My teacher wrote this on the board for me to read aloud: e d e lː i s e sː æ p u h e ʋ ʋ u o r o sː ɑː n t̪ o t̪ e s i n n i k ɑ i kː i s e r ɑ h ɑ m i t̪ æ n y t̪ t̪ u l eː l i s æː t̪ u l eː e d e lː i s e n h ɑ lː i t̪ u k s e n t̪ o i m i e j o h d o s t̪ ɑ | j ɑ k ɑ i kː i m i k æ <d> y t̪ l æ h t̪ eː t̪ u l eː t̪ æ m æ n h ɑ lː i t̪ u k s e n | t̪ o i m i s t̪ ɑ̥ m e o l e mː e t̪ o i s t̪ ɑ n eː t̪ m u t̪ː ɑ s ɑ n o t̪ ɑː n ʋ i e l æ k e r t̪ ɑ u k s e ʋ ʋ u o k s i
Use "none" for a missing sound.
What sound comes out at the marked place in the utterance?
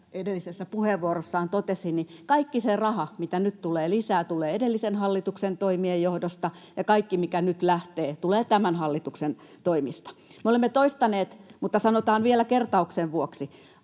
n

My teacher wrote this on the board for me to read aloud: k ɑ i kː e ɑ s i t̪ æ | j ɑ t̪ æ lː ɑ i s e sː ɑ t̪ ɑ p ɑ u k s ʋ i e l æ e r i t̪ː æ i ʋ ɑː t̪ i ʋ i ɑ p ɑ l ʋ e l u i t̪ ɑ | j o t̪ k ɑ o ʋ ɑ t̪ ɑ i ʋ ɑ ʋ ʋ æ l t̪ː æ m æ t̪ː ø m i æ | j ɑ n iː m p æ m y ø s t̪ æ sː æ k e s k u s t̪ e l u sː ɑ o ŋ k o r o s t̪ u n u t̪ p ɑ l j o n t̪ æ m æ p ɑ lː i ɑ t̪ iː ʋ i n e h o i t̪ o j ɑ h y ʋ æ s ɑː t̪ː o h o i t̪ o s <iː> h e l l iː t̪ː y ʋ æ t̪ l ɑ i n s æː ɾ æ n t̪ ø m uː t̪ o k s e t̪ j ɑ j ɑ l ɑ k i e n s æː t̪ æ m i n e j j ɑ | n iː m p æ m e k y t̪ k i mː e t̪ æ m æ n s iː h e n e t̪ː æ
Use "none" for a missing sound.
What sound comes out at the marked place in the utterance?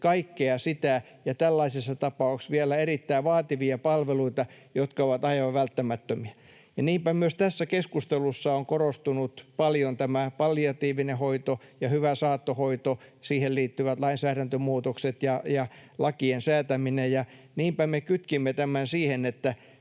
iː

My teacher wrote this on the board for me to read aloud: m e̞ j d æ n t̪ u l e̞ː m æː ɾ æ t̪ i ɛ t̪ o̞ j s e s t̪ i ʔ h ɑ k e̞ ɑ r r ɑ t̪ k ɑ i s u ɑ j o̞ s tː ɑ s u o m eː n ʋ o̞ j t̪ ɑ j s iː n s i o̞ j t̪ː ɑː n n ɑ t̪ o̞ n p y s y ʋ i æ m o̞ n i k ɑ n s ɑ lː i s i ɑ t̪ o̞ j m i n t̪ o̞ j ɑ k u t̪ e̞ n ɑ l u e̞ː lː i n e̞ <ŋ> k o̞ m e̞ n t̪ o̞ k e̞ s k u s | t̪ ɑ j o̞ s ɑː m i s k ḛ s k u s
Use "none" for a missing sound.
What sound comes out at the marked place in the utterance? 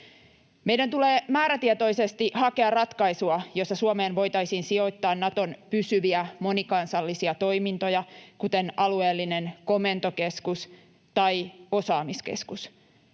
n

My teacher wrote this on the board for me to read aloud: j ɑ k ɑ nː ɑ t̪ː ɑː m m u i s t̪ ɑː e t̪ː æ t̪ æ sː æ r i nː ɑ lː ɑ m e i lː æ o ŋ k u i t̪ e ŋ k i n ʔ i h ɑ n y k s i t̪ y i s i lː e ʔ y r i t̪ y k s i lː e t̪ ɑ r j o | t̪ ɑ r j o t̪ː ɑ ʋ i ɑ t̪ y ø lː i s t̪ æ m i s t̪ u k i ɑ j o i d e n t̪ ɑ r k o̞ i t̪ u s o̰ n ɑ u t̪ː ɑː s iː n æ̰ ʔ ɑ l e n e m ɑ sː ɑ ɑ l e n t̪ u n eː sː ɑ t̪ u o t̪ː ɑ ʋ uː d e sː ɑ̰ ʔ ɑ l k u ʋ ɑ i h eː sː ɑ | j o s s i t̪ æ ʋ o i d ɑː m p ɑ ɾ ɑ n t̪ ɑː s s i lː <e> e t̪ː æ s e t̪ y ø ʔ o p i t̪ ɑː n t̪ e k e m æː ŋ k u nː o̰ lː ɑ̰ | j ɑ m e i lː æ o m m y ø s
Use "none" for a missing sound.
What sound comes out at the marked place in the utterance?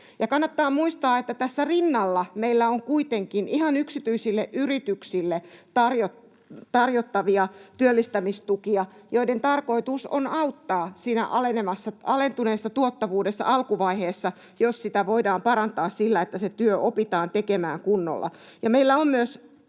æ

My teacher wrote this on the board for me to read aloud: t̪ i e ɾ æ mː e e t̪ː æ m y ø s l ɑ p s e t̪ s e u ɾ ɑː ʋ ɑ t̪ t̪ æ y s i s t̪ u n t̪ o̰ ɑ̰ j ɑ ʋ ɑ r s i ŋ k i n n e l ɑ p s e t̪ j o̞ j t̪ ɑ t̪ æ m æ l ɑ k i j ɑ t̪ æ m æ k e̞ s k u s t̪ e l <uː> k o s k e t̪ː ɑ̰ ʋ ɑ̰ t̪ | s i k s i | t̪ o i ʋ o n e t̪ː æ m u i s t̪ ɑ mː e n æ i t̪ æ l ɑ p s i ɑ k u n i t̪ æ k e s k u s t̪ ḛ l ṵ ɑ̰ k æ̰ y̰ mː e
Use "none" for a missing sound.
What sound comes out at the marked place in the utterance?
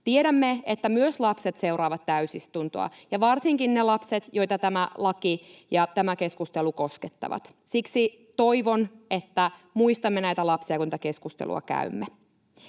u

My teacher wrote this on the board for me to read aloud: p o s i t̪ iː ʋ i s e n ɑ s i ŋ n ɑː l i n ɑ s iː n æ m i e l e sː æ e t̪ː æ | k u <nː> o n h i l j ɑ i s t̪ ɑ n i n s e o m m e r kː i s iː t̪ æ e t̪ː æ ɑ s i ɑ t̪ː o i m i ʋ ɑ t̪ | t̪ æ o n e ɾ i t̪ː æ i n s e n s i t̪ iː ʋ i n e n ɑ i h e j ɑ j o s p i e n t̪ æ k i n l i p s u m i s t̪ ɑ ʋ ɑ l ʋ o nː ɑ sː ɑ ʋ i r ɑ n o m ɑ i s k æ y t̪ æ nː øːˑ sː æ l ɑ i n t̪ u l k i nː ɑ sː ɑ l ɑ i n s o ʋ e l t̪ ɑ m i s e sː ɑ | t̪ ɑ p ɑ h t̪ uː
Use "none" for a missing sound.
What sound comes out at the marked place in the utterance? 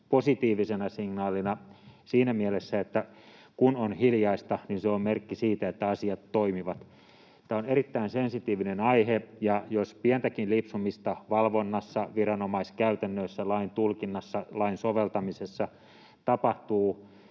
n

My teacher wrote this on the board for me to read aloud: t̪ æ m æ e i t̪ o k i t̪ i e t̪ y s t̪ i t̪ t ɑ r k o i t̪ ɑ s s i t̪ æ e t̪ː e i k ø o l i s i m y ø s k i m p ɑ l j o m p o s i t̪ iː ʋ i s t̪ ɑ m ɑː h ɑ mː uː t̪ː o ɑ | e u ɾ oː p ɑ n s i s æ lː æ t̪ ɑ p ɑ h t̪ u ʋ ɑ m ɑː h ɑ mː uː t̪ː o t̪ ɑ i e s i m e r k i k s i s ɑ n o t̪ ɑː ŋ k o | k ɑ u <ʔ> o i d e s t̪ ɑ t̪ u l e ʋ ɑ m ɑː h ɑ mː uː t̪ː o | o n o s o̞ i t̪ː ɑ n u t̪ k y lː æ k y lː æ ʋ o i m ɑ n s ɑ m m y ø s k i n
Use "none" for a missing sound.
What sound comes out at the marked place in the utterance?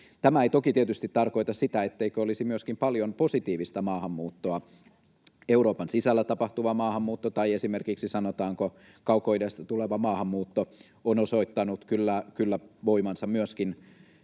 k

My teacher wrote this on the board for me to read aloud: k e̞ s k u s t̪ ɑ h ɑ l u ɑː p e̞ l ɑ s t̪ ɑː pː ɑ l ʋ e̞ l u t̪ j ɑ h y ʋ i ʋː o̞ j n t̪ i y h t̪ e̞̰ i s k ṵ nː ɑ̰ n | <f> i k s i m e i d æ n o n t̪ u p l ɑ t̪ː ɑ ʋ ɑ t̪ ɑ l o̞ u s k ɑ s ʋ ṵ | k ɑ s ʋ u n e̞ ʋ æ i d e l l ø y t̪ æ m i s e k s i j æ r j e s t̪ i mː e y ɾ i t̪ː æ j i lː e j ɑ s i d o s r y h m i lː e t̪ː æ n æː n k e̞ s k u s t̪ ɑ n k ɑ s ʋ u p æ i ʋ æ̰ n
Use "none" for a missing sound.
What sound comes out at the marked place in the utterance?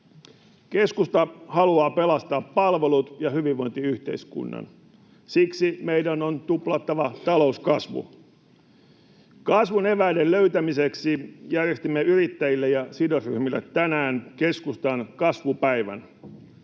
s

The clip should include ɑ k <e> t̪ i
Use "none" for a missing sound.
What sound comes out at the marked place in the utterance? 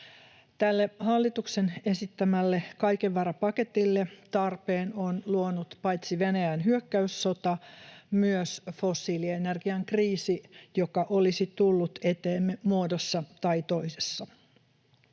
e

